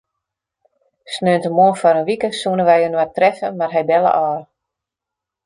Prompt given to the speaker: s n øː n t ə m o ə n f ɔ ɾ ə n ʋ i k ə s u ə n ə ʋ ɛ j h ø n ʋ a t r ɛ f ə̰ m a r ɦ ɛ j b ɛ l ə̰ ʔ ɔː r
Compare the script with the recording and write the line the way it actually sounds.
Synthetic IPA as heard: s n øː n t ə m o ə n f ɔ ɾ ə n ʋ i k ə s u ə n ə ʋ ɛ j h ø n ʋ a t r ɛ f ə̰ m a r ɦ ɛ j b ɛ l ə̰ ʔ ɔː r